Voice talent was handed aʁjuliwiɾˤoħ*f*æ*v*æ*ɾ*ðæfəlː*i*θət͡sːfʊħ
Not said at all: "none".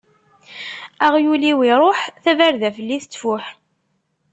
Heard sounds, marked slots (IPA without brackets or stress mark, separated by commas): θ, v, ɾ, i